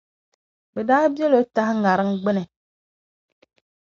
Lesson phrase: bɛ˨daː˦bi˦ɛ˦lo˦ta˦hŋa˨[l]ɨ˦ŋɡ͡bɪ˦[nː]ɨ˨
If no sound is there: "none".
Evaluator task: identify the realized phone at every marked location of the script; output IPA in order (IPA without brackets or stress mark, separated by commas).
ɾ, n